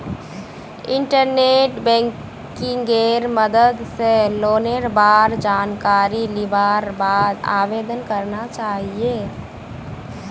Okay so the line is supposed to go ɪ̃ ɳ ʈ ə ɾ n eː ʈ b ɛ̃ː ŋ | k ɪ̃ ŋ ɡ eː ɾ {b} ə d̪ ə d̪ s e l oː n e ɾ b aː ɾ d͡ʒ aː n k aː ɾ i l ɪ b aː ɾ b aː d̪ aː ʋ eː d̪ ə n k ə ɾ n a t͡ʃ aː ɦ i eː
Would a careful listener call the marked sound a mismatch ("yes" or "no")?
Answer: yes